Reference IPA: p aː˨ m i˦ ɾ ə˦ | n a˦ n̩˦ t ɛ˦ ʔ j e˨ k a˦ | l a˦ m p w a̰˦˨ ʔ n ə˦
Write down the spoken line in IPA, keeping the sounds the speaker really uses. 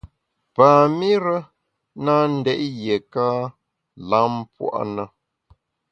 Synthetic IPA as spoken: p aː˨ m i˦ ɾ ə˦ | n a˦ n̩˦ d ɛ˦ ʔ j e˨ k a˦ | l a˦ m p w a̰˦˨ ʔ n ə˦